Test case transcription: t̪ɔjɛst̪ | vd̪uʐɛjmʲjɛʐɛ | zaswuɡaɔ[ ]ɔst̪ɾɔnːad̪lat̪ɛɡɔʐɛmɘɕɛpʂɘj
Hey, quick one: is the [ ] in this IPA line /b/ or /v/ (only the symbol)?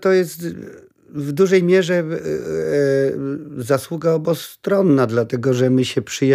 b